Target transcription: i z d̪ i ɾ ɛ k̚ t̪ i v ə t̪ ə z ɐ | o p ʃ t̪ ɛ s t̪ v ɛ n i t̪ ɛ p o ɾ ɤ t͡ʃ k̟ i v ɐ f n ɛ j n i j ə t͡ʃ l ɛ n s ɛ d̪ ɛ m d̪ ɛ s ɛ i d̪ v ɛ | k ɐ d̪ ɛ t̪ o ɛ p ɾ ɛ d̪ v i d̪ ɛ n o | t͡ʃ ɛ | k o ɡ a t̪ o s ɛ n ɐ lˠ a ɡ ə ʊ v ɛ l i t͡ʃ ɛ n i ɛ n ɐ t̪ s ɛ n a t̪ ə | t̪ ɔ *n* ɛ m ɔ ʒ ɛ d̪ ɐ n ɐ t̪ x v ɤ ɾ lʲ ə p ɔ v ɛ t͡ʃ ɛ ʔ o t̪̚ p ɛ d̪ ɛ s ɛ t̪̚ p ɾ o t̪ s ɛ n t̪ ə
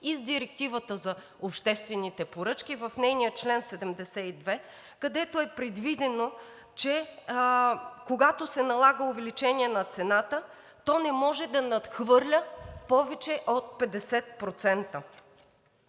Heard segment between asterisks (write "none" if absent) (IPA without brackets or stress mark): n